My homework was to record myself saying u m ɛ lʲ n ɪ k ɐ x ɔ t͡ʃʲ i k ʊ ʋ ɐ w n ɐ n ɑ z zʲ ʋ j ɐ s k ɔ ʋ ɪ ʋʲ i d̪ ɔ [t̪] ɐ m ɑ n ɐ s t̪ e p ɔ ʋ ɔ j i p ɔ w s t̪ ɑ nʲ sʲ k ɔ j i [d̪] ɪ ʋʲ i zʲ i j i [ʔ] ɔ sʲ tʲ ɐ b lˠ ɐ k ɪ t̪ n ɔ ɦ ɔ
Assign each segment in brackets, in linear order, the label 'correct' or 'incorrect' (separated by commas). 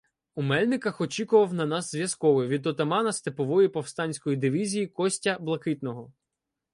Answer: correct, correct, incorrect